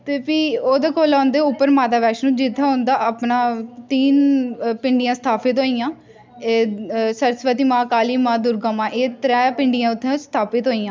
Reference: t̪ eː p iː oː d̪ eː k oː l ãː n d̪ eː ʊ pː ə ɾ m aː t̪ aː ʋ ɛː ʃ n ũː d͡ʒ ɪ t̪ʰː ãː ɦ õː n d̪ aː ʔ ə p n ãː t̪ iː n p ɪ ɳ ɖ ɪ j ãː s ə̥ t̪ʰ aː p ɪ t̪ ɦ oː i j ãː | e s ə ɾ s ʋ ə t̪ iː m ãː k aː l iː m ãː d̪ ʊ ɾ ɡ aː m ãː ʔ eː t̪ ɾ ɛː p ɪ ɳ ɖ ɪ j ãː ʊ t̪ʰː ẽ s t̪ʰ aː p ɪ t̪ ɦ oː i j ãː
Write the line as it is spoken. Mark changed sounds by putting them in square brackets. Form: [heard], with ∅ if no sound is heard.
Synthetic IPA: t̪ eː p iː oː d̪ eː k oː l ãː n d̪ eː ʊ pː ə ɾ m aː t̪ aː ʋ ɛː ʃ n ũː d͡ʒ ɪ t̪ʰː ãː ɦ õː n d̪ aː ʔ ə p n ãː t̪ iː n p ɪ ɳ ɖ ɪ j ãː s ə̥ t̪ʰ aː p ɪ t̪ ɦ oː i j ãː | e s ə ɾ s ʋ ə t̪ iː m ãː k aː l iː m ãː d̪ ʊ ɾ ɡ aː m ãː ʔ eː t̪ ɾ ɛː p ɪ ɳ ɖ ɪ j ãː ʊ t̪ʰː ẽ s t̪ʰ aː p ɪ t̪ ɦ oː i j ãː

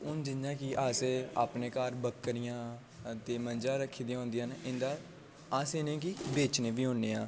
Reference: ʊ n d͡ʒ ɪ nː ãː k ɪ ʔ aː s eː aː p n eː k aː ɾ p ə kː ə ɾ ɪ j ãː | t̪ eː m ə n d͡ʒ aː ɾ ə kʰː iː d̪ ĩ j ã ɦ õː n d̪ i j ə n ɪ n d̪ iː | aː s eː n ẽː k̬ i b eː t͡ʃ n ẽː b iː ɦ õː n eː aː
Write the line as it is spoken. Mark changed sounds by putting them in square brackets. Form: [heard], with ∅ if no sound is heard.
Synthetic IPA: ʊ n d͡ʒ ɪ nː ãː k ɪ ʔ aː s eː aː p n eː k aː ɾ [b] ə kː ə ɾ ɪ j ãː | t̪ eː m ə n d͡ʒ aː ɾ ə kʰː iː d̪ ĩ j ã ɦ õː n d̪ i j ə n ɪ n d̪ [aː] | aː s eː n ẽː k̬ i b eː t͡ʃ n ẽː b iː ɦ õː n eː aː

